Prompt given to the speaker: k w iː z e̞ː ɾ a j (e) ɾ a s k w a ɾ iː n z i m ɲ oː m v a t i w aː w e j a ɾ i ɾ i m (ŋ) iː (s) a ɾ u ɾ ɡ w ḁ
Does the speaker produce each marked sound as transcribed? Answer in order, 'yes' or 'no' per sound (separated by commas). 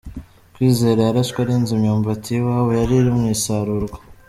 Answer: no, yes, yes